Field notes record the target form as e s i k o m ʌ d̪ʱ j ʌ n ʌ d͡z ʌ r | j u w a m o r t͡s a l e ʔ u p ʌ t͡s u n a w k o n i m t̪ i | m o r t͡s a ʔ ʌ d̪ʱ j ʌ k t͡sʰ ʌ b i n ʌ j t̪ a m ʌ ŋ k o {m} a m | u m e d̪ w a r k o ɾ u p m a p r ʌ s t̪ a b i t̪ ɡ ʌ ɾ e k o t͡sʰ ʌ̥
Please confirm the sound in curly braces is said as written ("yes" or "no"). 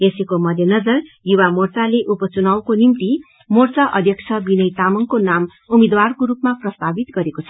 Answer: no